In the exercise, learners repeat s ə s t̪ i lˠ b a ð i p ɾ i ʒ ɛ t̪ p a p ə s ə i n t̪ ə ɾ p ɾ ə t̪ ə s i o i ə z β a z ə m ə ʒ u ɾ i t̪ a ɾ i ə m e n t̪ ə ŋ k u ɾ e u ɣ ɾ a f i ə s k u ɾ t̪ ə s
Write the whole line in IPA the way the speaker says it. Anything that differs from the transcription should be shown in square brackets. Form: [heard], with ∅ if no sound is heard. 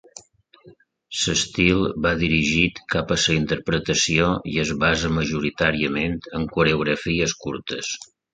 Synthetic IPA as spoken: s ə s t̪ i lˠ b a ð i [∅] ɾ i ʒ [i] t̪ [k] a p ə s ə i n t̪ ə ɾ p ɾ ə t̪ ə s i o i ə z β a z ə m ə ʒ u ɾ i t̪ a ɾ i ə m e n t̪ ə ŋ k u ɾ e u ɣ ɾ [ə] f i ə s k u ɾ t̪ ə s